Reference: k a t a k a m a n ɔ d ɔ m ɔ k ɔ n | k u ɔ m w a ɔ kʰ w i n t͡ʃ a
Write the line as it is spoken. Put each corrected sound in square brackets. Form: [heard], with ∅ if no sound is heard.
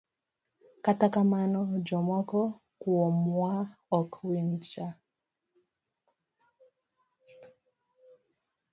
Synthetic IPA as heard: k a t a k a m a n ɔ [d͡ʒ] ɔ m ɔ k ɔ [∅] | k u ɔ m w a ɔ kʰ w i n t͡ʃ a